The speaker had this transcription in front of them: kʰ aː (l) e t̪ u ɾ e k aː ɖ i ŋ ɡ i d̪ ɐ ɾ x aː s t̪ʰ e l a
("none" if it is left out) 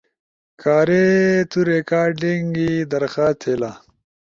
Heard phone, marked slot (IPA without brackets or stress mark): ɾ